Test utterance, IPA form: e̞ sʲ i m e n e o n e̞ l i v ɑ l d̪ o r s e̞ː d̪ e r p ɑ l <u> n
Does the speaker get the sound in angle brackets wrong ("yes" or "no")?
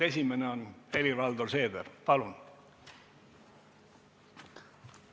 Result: no